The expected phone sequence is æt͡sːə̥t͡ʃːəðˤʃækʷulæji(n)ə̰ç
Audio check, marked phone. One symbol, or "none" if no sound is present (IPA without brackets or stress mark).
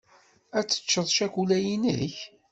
n